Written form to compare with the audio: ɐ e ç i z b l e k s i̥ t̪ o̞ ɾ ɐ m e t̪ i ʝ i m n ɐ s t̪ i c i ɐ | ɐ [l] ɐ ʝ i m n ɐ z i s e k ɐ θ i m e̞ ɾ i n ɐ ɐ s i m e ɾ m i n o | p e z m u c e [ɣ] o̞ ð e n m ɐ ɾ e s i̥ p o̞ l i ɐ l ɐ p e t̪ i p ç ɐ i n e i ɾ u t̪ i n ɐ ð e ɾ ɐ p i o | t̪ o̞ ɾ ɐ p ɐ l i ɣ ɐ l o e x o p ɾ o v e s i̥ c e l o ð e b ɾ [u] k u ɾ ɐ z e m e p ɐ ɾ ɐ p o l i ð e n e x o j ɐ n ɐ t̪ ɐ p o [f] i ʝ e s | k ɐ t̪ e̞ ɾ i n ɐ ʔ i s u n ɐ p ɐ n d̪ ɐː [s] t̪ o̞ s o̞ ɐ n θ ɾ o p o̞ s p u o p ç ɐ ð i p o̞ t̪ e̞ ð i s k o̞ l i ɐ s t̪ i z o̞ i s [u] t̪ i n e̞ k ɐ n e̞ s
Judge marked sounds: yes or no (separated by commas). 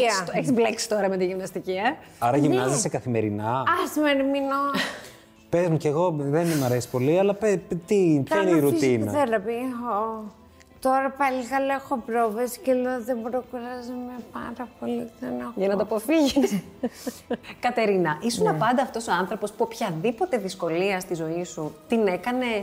no, yes, no, yes, no, yes